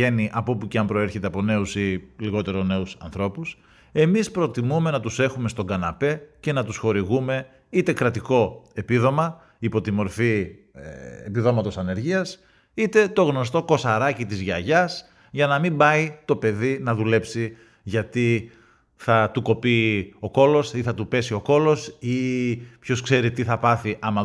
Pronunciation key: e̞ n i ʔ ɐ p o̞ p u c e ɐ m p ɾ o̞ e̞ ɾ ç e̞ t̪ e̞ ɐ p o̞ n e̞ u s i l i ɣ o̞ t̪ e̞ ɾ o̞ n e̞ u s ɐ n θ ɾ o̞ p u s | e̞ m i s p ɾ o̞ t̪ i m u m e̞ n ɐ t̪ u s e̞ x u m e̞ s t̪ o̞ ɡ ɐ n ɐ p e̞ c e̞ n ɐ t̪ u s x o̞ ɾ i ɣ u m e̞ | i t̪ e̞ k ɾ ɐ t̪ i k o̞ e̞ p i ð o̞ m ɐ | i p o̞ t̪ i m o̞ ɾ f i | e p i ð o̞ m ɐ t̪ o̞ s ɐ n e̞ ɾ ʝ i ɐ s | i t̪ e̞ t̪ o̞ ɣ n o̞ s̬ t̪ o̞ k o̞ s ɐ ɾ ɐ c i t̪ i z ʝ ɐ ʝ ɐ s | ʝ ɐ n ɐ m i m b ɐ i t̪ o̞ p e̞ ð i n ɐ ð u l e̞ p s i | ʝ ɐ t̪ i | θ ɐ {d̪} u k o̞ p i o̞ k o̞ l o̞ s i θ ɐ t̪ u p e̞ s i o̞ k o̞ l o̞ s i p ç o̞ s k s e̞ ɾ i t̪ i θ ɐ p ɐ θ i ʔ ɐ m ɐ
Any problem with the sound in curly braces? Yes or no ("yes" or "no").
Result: yes